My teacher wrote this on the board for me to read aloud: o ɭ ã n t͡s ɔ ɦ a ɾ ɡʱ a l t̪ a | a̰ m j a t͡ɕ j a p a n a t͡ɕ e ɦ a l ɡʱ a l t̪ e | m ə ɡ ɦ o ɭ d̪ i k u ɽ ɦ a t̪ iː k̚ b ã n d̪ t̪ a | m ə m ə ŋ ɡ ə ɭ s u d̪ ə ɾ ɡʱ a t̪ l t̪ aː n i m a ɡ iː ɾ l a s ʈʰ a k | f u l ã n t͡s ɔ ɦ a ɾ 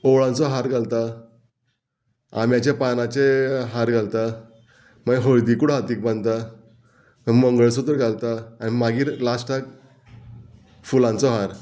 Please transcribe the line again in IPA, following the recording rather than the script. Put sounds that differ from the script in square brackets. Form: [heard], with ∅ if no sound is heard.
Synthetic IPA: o ɭ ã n t͡s ɔ ɦ a ɾ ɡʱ a l t̪ a | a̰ m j a t͡ɕ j a p a n a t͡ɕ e ɦ a [ɾ] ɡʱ a l t̪ [a] | m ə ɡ ɦ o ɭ d̪ i k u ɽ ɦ a t̪ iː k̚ b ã n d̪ t̪ a | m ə m ə ŋ ɡ ə ɭ s u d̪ ə ɾ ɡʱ a [∅] l t̪ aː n i m a ɡ iː ɾ l a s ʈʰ a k | f u l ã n t͡s ɔ ɦ a ɾ